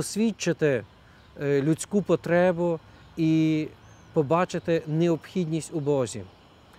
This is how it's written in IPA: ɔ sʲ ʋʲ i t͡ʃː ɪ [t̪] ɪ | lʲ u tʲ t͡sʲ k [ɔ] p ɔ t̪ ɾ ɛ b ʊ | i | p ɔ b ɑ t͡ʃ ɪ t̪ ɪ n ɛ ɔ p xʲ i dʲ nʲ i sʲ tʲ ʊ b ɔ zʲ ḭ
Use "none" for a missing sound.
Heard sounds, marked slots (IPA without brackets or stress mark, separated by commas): t̪, u